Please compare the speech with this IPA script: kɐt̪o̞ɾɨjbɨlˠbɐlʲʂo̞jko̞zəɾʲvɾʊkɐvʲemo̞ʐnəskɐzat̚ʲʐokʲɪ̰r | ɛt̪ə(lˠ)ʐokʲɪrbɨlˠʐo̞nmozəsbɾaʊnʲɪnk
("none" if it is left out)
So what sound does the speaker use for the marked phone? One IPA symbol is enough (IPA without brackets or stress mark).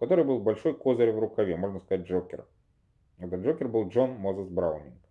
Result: none